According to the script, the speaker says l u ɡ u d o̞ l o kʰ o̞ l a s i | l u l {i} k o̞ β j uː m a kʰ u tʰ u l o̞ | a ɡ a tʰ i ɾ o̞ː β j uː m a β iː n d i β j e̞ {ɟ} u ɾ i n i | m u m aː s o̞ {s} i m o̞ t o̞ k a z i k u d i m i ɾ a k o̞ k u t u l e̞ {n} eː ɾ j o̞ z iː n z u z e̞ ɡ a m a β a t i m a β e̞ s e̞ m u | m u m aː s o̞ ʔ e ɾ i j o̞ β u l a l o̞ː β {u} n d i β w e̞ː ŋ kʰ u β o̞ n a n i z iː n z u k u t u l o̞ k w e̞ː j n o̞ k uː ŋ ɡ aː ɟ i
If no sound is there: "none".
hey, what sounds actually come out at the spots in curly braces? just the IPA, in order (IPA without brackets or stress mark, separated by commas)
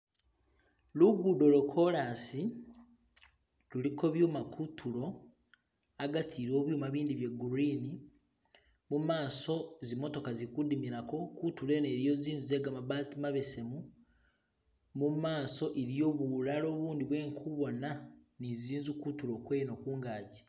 i, ɡ, z, n, uː